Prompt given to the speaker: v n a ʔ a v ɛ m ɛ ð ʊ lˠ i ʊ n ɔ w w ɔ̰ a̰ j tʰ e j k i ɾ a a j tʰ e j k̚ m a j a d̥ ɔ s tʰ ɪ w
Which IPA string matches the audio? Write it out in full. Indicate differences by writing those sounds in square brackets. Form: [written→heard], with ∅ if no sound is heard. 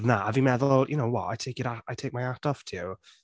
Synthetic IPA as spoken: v n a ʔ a v [ɛ→i] m ɛ ð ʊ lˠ [i→j] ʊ n [ɔ→o] w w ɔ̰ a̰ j tʰ e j k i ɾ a a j tʰ e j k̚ m a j a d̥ ɔ [s→f] tʰ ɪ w